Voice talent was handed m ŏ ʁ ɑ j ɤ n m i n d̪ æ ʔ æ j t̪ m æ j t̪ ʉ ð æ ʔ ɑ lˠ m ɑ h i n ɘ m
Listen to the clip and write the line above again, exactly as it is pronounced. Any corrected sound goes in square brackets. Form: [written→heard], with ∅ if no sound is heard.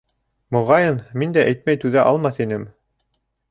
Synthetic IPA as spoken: m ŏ ʁ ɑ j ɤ n m i n d̪ æ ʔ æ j t̪ m æ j t̪ ʉ ð æ ʔ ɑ lˠ m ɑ [h→θ] i n ɘ m